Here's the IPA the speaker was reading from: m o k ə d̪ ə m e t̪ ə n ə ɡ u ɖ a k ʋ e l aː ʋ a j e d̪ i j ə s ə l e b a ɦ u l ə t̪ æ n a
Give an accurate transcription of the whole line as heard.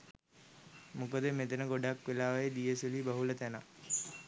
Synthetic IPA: m u k ə d̪ ə m e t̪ ə n ə ɡ o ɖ a k ʋ e l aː ʋ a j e d̪ i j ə s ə l i b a ɦ u l ə t̪ æ n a